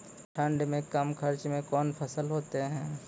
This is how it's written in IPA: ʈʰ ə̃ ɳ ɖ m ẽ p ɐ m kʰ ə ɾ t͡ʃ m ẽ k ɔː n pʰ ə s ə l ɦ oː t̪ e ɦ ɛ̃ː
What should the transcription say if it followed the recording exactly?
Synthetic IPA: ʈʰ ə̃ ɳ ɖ m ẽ k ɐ m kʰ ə ɾ t͡ʃ m ẽ k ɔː n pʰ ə s ə l ɦ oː t̪ e ɦ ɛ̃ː